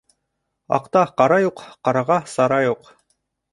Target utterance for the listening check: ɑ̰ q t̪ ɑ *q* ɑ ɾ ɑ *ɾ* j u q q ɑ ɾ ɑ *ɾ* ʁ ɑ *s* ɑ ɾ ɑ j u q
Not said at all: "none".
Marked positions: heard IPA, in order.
q, none, none, s

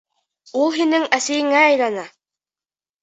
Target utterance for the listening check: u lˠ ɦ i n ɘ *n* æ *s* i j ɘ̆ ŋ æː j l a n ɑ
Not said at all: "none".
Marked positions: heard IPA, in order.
ŋ, s

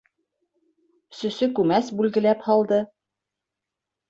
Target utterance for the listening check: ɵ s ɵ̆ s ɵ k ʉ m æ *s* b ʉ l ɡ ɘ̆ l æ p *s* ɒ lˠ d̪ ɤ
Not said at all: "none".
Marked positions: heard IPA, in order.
s, h

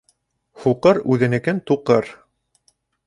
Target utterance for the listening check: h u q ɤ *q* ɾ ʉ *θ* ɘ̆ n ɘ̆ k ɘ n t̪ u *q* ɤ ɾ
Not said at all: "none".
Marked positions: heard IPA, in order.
none, ð, q

